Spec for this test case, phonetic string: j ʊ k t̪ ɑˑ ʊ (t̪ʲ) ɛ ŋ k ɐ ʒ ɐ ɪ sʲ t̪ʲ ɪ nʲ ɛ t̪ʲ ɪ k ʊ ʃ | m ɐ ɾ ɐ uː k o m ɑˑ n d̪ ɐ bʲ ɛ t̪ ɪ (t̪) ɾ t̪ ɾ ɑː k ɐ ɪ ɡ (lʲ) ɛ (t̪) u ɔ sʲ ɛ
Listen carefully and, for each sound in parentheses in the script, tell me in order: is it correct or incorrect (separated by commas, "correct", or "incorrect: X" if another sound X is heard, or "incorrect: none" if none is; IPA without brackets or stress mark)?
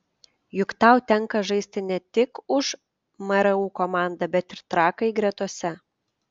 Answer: correct, incorrect: none, incorrect: ɾʲ, correct